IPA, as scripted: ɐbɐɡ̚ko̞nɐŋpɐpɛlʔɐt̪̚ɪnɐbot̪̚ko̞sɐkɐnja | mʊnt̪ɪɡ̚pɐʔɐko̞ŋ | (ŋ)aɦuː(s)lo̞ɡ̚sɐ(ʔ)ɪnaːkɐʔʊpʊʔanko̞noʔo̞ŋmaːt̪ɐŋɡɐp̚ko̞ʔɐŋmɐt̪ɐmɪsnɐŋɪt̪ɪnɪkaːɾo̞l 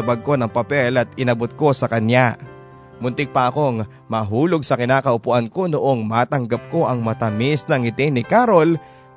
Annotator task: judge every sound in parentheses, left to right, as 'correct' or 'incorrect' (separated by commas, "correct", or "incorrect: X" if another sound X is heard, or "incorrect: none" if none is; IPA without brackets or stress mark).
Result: incorrect: m, incorrect: none, incorrect: k